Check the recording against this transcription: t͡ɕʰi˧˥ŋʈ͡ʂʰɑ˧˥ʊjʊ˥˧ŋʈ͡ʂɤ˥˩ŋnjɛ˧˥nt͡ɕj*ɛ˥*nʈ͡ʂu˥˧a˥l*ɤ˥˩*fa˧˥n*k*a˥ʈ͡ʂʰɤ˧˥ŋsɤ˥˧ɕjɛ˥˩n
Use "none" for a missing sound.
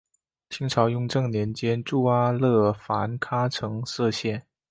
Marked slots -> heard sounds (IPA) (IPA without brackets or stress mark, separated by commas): ɛ˥, ɤ˥˩, kʰ